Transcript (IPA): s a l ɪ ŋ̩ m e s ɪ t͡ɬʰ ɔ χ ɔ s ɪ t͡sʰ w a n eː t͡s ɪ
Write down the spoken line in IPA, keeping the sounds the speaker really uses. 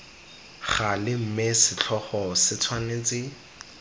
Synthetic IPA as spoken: χ a l ɪ m̩ m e s ɪ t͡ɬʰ ɔ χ ɔ s ɪ t͡sʰ w a n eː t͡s ɪ